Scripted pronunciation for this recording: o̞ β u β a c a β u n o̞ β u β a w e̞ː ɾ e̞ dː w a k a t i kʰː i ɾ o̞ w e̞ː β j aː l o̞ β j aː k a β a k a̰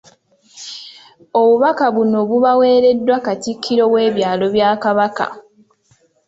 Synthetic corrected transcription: o̞ β u β a k a β u n o̞ β u β a w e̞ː ɾ e̞ dː w a k a t i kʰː i ɾ o̞ w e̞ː β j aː l o̞ β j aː k a β a k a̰